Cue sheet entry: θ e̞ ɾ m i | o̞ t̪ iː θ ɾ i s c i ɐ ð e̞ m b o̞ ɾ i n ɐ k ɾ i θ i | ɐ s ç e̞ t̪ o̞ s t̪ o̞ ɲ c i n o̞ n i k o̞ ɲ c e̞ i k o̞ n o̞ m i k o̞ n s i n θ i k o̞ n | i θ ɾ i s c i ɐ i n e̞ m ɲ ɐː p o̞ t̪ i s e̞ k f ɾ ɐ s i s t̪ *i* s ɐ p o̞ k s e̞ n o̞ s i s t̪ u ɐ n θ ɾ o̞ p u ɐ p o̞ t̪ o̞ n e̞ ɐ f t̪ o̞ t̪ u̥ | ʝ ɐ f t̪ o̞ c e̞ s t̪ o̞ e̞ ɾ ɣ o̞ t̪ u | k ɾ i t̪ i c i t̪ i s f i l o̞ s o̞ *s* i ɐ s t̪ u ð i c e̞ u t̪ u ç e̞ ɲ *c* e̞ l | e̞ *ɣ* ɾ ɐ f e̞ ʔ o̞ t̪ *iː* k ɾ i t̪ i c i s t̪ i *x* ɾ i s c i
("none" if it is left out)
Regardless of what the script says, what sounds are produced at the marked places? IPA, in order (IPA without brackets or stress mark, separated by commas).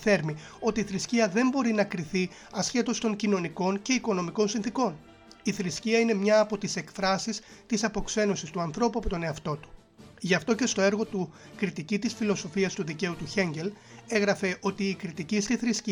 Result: i, f, ɟ, ɣ, iː, θ